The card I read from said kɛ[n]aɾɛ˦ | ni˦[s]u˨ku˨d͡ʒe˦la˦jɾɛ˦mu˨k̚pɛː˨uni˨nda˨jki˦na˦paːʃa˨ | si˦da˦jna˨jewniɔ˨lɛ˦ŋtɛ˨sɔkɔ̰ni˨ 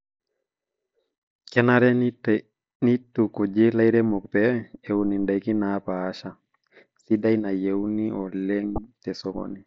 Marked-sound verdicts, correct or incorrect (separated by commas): correct, incorrect